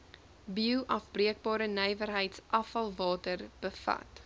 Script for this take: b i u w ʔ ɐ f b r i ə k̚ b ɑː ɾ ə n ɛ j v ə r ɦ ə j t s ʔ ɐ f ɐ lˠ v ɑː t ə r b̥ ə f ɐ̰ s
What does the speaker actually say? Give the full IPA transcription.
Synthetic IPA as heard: b i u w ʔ ɐ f b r i ə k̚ b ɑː ɾ ə n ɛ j v ə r ɦ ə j t s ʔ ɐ f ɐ lˠ v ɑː t ə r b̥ ə f ɐ̰ t